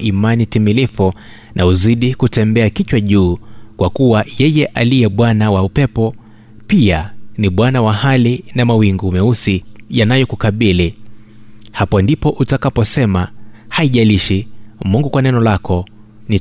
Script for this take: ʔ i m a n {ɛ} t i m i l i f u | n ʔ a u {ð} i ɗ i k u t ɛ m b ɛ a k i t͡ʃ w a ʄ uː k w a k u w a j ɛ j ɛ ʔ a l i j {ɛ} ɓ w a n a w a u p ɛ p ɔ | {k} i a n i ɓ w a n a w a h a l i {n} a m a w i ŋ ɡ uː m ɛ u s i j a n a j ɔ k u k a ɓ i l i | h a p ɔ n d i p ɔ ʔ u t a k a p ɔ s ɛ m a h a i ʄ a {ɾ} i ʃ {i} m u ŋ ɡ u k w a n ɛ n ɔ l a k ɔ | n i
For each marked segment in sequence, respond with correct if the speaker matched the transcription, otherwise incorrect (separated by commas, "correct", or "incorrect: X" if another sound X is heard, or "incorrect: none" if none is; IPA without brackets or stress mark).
incorrect: i, incorrect: z, correct, incorrect: p, correct, incorrect: l, correct